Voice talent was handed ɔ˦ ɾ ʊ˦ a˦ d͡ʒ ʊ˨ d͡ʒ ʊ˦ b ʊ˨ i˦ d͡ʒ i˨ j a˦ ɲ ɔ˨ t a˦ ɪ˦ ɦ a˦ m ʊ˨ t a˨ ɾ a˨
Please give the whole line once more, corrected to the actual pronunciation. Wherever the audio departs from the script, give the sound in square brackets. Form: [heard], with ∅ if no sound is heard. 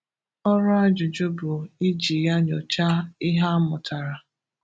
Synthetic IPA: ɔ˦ ɾ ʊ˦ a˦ d͡ʒ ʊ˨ d͡ʒ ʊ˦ b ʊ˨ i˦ d͡ʒ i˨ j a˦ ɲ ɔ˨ [t͡ʃ] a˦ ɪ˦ ɦ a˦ m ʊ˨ t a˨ ɾ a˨

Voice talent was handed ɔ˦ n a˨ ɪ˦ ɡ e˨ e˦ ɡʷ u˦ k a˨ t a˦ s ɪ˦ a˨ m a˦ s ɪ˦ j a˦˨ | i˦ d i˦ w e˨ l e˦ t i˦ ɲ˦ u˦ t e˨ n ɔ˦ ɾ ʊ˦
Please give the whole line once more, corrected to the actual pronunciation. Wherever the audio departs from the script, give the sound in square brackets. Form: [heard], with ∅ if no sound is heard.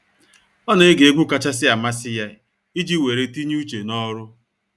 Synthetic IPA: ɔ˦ n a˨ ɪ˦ ɡ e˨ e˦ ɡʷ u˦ k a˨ [t͡ʃ] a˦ s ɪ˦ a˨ m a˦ s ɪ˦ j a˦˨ | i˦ [d͡ʒ] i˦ w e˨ [ɾ] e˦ t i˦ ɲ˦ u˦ [t͡ʃ] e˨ n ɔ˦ ɾ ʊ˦

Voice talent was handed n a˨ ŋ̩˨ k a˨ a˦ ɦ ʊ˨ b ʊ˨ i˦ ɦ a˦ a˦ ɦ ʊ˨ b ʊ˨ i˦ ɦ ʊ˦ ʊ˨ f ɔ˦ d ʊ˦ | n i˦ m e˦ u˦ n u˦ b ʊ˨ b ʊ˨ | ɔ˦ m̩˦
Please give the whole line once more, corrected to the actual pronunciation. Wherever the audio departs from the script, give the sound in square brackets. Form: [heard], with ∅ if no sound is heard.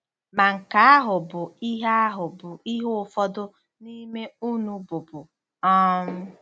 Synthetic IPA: [m] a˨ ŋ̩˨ k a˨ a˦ ɦ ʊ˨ b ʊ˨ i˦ ɦ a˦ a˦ ɦ ʊ˨ b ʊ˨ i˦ ɦ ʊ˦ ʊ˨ f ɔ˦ d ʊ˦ | n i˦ m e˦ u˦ n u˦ b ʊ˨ b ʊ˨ | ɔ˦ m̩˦

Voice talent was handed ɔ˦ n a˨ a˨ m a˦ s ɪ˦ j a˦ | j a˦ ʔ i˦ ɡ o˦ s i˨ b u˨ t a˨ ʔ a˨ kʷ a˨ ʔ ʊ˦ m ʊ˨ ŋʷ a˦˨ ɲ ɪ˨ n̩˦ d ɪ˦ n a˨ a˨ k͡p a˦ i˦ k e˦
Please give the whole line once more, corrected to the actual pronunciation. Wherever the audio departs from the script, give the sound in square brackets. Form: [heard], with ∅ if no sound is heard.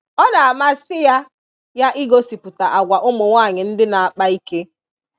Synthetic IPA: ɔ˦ n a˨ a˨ m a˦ s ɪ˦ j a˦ | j a˦ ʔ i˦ ɡ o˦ s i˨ [p] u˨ t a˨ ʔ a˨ [ɡʷ] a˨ ʔ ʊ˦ m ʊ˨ ŋʷ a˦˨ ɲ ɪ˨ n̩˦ d ɪ˦ n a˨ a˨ k͡p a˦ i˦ k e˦

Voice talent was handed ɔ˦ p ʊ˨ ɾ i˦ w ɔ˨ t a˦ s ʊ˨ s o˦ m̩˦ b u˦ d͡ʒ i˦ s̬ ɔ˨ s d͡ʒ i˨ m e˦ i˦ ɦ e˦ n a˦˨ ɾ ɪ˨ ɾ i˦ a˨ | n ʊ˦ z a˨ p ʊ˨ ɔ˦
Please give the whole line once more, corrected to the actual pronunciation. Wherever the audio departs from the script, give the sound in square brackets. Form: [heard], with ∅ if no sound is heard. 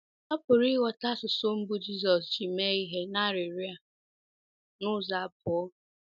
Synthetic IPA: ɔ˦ p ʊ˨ ɾ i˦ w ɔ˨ t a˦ s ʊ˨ s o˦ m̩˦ b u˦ d͡ʒ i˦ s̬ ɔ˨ s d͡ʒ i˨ m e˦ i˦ ɦ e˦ n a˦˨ ɾ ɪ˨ ɾ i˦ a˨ | n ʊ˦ z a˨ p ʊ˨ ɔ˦

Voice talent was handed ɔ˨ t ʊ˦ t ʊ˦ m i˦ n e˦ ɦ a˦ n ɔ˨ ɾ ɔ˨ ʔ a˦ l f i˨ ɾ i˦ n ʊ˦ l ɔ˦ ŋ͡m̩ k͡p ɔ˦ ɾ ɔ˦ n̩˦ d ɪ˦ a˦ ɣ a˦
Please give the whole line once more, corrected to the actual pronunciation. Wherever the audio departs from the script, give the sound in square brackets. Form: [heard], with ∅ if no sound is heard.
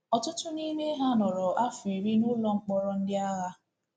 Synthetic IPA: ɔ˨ t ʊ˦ t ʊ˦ [n] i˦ n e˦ ɦ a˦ n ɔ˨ ɾ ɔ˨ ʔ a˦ [∅] f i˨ ɾ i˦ n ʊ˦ l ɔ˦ ŋ͡m̩ k͡p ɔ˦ ɾ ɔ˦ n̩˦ d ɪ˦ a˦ ɣ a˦

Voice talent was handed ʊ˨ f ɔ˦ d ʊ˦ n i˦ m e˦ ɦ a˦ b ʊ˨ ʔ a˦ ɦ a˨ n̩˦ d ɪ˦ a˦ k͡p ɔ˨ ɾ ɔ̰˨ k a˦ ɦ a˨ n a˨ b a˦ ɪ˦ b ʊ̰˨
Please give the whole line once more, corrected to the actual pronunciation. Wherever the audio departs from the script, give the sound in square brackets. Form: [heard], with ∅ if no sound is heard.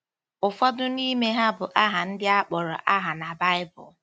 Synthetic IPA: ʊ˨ f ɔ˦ d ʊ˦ n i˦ m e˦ ɦ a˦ b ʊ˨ ʔ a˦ ɦ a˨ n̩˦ d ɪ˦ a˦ k͡p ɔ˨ ɾ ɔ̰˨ [ʔ] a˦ ɦ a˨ n a˨ b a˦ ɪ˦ b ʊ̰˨

